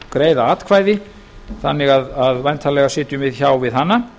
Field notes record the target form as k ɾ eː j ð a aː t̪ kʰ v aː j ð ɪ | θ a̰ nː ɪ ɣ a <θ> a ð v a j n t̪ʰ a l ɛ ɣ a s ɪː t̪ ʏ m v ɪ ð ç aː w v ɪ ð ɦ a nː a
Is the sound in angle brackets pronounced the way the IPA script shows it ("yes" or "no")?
no